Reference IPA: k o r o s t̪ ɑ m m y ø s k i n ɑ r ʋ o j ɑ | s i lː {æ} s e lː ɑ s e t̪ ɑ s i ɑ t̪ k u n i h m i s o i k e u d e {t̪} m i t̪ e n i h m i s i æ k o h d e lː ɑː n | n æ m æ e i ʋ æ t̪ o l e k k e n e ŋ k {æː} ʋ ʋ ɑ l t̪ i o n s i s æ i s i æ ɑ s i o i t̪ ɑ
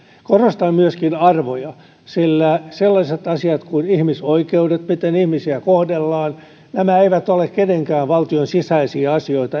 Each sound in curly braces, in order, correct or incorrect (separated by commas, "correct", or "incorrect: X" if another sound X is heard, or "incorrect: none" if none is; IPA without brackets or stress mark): correct, correct, correct